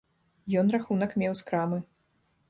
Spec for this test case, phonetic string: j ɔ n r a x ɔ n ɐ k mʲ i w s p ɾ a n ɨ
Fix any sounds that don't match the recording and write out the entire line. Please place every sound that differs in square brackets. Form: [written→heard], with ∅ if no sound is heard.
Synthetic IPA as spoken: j ɔ n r a x [ɔ→u] n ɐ k mʲ [i→ɛ] w s [p→k] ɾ a [n→m] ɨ